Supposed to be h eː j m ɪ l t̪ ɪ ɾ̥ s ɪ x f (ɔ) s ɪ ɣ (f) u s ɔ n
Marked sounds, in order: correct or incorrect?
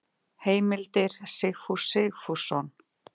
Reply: incorrect: u, correct

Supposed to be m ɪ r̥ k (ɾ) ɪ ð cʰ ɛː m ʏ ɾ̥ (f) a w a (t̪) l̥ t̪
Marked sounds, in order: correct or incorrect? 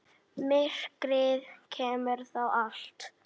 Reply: correct, incorrect: θ, incorrect: none

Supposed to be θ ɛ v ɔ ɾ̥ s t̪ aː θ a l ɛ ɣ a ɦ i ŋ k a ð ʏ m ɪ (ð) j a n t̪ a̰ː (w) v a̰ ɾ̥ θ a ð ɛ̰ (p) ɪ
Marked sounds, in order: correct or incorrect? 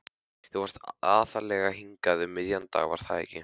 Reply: correct, incorrect: ɣ, incorrect: c

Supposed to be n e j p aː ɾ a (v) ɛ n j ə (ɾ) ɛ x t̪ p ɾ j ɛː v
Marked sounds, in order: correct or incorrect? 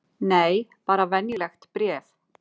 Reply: correct, incorrect: l

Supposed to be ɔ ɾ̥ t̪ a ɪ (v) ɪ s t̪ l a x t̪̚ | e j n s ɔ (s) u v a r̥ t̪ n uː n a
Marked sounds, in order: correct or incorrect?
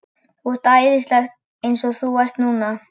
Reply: incorrect: ð, incorrect: θ

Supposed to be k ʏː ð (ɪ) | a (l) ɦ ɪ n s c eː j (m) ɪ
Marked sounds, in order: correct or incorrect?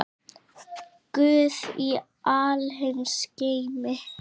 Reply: incorrect: i, correct, correct

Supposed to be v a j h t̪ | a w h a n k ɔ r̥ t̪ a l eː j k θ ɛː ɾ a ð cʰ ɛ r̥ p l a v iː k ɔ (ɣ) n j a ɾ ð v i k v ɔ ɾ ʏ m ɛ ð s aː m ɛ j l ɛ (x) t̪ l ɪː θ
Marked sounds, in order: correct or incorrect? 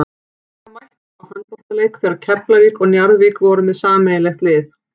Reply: correct, correct

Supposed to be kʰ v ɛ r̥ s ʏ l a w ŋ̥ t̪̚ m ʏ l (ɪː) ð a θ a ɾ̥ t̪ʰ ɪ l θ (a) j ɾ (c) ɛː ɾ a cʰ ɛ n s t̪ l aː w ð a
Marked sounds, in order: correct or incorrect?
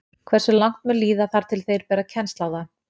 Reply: incorrect: iː, incorrect: e, incorrect: p

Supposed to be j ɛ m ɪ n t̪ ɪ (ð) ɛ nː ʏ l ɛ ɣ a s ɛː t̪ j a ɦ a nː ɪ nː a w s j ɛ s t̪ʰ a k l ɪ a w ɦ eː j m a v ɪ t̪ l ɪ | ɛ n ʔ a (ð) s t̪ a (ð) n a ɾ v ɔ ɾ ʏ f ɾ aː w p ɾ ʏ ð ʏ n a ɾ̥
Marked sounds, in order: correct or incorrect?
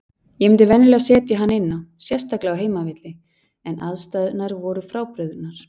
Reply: incorrect: v, correct, correct

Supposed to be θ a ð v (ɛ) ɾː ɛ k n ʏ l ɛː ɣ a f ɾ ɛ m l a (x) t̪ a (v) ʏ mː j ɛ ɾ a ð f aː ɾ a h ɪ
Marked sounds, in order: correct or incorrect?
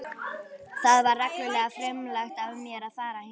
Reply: incorrect: a, correct, correct

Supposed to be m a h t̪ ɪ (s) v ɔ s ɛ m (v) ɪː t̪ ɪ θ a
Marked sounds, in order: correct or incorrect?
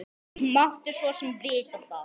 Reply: correct, correct

